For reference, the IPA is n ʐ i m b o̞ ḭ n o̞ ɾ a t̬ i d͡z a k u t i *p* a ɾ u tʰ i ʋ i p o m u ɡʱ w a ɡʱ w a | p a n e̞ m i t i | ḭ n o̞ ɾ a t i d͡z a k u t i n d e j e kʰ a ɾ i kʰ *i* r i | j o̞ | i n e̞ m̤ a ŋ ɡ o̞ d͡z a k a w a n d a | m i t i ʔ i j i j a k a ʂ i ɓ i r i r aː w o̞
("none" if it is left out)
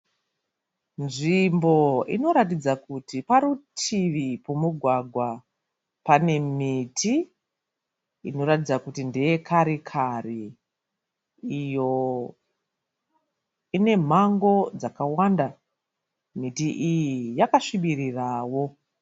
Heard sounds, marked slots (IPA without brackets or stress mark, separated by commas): p, a